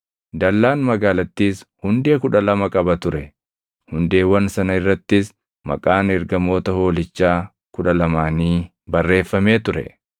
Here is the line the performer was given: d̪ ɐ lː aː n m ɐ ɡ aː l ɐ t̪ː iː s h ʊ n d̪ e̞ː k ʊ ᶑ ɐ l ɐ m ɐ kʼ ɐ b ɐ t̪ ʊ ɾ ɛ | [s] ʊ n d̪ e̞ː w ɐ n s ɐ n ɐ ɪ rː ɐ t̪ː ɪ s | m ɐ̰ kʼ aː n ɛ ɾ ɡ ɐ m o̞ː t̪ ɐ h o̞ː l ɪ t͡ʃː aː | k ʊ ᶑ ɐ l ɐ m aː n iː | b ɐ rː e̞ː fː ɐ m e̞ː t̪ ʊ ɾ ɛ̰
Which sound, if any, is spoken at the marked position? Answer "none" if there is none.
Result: h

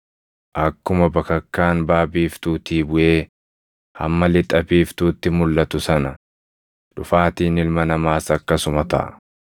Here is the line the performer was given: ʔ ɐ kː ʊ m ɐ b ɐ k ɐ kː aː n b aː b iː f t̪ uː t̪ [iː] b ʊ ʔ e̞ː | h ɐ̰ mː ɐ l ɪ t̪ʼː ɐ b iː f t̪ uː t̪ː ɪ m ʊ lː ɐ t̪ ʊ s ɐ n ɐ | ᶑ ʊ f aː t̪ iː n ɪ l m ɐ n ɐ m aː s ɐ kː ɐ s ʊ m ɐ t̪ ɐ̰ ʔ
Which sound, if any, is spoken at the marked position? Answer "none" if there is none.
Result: iː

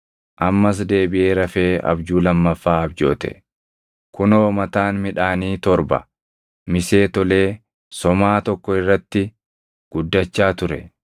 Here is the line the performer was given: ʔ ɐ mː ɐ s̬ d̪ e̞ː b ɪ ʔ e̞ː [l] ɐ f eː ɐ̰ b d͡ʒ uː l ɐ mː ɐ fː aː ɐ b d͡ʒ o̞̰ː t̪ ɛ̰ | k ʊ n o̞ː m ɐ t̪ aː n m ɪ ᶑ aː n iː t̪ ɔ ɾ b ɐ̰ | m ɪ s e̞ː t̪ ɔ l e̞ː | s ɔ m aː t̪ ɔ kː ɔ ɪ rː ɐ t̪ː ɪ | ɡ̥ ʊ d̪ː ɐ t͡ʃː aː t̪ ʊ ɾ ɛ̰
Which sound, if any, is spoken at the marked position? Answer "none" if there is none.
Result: ɾ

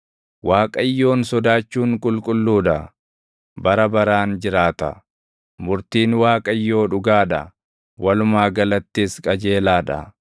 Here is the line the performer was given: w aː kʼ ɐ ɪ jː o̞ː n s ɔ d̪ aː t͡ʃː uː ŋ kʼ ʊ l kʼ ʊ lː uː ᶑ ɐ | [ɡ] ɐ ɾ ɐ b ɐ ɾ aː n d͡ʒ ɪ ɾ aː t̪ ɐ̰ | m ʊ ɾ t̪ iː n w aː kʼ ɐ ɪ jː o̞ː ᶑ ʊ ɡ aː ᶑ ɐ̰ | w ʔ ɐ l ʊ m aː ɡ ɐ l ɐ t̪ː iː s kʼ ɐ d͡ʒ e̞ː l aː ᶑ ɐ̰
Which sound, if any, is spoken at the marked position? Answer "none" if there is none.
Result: b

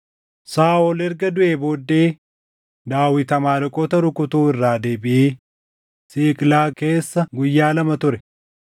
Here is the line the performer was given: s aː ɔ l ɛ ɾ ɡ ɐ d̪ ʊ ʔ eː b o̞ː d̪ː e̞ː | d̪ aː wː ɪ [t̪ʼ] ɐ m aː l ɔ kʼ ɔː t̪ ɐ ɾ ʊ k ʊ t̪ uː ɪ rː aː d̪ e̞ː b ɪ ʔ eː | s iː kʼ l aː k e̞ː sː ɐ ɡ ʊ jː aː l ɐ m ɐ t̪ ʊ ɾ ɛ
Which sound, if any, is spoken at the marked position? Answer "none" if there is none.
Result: t̪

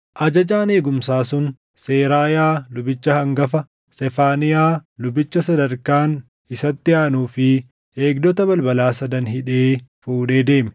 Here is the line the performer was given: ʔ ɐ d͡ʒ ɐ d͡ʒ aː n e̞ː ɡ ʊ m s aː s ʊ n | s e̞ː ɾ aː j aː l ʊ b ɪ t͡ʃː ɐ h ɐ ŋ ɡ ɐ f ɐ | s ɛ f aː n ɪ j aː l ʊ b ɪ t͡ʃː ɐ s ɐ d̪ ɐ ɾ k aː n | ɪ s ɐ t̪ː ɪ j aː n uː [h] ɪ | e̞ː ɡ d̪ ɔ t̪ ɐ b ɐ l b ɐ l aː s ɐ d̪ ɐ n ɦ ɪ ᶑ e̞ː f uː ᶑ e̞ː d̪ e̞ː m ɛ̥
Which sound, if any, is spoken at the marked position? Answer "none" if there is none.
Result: f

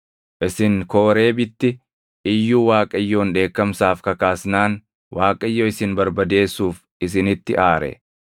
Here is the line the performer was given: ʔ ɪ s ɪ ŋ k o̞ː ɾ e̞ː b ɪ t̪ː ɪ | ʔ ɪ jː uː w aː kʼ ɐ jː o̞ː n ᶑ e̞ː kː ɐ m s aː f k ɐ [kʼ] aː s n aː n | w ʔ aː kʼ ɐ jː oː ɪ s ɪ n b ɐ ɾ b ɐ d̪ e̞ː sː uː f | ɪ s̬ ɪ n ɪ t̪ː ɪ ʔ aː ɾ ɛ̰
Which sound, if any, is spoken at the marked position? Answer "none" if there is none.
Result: k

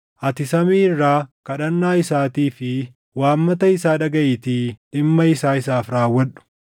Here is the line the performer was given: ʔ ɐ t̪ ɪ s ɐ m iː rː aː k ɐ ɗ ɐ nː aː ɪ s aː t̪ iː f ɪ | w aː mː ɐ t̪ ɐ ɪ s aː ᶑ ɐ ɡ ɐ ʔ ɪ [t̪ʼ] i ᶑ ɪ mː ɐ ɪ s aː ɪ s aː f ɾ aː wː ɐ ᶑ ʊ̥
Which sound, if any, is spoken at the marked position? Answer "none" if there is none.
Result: t̪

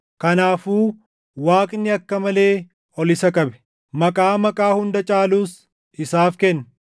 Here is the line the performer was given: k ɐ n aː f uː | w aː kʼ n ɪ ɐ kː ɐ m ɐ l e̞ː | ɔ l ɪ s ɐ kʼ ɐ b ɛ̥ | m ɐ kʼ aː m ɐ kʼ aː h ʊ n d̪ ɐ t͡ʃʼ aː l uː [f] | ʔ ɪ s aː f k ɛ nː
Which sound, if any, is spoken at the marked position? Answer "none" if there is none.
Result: s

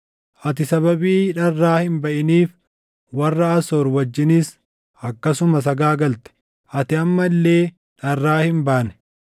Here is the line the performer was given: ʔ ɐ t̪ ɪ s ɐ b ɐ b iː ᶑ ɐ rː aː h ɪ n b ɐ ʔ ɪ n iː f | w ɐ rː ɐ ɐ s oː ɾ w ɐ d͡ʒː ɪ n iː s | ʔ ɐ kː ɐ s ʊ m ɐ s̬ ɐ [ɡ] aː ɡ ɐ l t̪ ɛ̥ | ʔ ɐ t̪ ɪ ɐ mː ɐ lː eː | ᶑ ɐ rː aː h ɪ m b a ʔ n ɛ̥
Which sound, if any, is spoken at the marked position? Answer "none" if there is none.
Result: ɡ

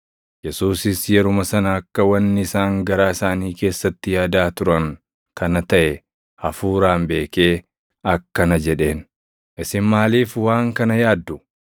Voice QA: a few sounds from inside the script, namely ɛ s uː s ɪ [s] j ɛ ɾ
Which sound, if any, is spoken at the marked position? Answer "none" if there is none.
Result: s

